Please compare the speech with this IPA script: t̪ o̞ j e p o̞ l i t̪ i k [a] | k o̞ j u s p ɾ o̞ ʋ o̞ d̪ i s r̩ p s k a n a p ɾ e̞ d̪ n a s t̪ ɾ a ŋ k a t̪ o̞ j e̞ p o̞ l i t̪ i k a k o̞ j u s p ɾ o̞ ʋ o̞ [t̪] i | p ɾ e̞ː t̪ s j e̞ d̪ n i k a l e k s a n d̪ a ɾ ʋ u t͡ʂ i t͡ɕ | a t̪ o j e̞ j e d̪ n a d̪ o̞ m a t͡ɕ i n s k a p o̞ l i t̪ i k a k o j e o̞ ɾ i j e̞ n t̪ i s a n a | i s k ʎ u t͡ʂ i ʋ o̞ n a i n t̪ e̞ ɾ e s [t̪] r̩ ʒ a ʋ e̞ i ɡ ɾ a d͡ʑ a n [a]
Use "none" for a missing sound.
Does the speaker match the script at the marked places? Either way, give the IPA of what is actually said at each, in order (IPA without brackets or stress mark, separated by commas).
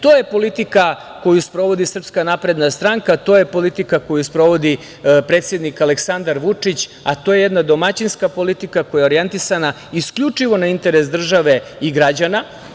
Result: a, d̪, d̪, a